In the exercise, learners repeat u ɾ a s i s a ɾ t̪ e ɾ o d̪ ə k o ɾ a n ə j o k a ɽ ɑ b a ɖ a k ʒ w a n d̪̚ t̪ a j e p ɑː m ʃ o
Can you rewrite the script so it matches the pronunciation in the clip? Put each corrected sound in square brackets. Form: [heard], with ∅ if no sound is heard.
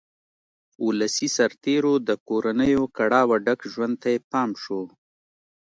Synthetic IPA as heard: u [l] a s i s a ɾ t̪ e ɾ o d̪ ə k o ɾ a n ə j o k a ɽ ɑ [w] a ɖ a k ʒ w a n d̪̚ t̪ a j e p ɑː m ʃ o

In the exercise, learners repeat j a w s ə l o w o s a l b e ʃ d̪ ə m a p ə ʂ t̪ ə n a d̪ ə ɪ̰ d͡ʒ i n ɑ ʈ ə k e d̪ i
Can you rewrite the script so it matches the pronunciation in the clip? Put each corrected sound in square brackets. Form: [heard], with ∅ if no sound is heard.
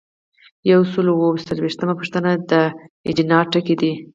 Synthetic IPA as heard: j a w s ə l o w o s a l [w] e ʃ [t̪] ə m a p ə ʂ t̪ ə n a d̪ ə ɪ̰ d͡ʒ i n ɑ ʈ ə k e d̪ i

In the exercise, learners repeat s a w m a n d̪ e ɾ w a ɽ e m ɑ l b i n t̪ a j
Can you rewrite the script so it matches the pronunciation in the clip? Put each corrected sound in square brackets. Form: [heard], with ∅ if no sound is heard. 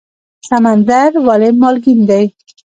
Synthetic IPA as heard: s a [∅] m a n d̪ [a] ɾ w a [l] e m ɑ l [ɡ] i n [d̪] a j

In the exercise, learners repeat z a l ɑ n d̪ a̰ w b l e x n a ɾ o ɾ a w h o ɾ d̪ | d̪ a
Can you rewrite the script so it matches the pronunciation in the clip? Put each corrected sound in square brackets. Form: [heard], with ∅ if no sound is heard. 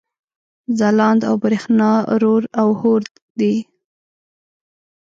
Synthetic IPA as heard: z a l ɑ n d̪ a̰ w b [ɾ] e x n [ɑ] ɾ o ɾ a w h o ɾ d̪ | d̪ [i]

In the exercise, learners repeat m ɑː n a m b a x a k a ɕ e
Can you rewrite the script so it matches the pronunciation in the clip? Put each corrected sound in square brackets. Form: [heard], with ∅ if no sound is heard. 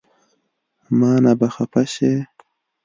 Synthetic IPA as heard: m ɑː n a [∅] b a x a [p] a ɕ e

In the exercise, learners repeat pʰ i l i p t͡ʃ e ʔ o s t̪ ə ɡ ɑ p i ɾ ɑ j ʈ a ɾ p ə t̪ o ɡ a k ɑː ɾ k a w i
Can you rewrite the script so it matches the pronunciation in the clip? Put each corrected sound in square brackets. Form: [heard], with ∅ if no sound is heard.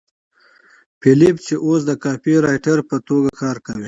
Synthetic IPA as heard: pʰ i l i p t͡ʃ e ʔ o s [d̪] ə [k] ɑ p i ɾ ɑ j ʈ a ɾ p ə t̪ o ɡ a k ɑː ɾ k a w i

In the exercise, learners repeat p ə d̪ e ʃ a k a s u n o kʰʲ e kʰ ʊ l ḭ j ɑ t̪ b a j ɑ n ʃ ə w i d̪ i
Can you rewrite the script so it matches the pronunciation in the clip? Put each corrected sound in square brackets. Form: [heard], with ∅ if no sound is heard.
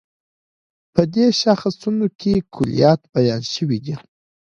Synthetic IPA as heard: p ə d̪ e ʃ a [x] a s u n o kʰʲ e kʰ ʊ l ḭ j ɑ t̪ b a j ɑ n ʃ ə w i d̪ i

